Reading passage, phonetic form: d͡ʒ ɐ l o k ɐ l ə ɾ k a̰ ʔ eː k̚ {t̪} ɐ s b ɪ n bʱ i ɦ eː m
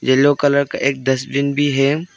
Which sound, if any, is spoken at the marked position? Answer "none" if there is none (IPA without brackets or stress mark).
d̪